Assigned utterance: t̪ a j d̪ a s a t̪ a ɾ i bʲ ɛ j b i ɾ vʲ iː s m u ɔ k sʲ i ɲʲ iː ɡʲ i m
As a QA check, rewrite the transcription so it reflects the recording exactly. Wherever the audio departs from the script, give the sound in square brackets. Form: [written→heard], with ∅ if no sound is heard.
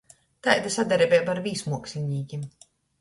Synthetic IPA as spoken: t̪ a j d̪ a s a [t̪→d̪] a ɾ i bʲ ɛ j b [i→a] ɾ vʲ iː s m u ɔ k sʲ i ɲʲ iː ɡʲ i m